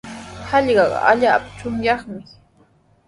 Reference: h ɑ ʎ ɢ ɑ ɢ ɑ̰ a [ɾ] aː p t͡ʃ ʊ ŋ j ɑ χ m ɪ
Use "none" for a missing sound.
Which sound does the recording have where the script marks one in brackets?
ʎ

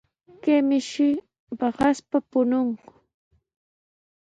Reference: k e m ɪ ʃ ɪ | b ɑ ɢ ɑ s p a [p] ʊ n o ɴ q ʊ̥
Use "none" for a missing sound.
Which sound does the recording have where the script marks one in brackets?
p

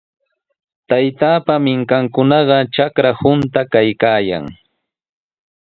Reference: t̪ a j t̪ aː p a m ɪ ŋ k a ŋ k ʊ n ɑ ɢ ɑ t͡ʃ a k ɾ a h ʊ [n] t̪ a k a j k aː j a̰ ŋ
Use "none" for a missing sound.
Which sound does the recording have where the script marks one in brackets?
n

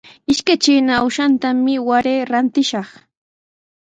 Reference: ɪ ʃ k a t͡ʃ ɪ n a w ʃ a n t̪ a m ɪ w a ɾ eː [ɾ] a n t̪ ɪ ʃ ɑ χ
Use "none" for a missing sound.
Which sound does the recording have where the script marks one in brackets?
ɾ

